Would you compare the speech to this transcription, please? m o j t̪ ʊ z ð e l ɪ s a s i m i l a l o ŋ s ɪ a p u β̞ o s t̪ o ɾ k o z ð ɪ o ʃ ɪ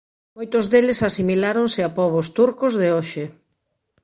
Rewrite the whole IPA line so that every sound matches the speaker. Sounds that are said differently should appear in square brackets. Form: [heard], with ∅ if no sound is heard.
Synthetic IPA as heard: m o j t̪ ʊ z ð e l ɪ s a s i m i l a [ɾ] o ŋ s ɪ a p [ɔ] β̞ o s t̪ [u] ɾ k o z ð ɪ o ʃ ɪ